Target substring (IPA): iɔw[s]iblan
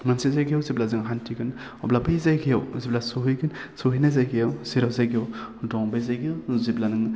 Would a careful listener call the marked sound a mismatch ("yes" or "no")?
yes